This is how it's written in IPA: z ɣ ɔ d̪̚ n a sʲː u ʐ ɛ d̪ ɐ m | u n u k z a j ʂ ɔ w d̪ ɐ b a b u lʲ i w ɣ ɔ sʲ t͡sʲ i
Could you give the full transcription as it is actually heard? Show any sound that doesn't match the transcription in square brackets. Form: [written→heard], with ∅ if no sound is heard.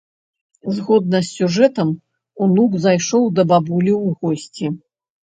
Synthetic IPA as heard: z ɣ ɔ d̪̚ n [a→ɐ] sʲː u ʐ ɛ [d̪→t̪] ɐ m | u n u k z a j ʂ ɔ w d̪ ɐ b a b u lʲ i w ɣ ɔ sʲ t͡sʲ i